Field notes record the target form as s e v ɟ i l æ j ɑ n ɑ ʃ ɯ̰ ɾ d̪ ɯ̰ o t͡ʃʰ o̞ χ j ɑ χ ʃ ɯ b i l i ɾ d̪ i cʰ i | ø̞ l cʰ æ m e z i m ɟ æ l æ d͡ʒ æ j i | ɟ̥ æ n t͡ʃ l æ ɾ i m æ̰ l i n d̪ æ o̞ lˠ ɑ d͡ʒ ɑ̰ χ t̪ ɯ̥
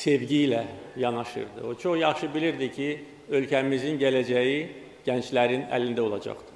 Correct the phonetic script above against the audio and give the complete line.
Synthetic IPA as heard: s e v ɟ i l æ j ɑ n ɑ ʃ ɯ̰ ɾ d̪ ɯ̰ o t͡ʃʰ o̞ χ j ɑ χ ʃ ɯ b i l i ɾ d̪ i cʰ i | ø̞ l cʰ æ m i z i n ɟ æ l æ d͡ʒ æ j i | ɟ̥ æ n t͡ʃ l æ ɾ i n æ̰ l i n d̪ æ o̞ lˠ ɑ d͡ʒ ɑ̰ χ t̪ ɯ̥